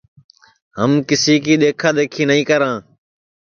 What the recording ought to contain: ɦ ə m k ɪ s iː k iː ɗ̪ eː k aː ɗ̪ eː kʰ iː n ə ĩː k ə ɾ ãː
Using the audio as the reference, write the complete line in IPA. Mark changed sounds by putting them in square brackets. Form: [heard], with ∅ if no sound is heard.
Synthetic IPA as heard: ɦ ə m k ɪ s iː k iː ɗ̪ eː [kʰ] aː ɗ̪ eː kʰ iː n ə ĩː k ə ɾ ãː